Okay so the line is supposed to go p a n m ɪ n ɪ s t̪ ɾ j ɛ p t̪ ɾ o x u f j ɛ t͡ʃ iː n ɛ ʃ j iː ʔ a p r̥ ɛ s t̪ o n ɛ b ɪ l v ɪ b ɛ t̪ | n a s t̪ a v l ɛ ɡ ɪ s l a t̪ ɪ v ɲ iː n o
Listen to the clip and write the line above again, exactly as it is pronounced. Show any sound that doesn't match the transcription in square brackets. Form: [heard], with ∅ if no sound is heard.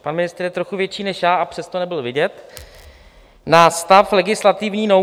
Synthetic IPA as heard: p a n m ɪ n ɪ s t̪ ɾ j ɛ [∅] t̪ ɾ o x u [v] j ɛ t͡ʃ iː n ɛ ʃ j [aː] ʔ a p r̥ ɛ s t̪ o n ɛ b ɪ l v ɪ [ɟ] ɛ t̪ | n a s t̪ a [f] l ɛ ɡ ɪ s l a t̪ ɪ v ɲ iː n o